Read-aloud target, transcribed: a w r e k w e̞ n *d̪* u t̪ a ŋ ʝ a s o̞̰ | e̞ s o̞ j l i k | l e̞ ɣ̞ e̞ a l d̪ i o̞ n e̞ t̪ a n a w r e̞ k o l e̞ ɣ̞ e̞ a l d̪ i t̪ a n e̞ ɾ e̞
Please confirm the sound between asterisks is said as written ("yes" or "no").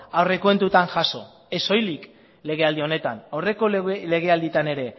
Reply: no